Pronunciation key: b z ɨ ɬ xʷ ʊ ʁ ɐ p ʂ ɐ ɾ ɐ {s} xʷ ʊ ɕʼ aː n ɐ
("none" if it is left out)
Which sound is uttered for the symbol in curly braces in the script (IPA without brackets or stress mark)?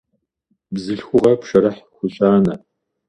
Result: ħ